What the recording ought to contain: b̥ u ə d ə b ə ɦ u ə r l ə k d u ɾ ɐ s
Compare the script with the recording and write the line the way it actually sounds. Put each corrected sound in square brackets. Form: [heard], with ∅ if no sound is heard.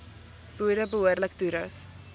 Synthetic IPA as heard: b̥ u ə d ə b ə ɦ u ə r l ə k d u ɾ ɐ s